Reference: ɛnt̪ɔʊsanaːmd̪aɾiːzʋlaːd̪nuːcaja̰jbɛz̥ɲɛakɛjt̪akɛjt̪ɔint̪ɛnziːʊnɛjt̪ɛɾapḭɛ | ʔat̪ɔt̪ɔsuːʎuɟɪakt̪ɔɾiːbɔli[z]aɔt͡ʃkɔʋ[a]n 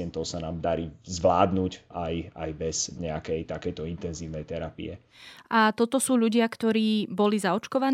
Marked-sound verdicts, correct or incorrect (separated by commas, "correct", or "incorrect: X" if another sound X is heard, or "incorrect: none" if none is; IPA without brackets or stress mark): correct, correct